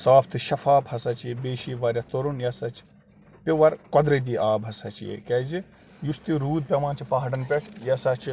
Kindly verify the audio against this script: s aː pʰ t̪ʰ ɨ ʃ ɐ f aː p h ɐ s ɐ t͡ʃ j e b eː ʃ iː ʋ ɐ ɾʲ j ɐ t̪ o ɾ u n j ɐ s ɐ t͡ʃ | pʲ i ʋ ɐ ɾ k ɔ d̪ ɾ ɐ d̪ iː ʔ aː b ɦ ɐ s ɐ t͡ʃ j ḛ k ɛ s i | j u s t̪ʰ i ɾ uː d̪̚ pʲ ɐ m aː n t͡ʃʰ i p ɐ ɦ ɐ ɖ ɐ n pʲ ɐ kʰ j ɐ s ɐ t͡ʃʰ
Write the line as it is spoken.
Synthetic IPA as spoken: s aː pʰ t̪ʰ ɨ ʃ ɐ f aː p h ɐ s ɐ t͡ʃ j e b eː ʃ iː ʋ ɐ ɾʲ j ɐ t̪ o ɾ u n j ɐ s ɐ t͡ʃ | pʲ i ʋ ɐ ɾ k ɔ d̪ ɾ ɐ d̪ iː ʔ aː b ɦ ɐ s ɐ t͡ʃ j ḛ k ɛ z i | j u s t̪ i ɾ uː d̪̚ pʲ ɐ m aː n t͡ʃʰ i p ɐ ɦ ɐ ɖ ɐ n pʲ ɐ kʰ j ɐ s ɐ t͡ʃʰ